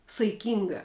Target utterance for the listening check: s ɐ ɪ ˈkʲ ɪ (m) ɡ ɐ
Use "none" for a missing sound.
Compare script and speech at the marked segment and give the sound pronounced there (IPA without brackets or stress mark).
ŋ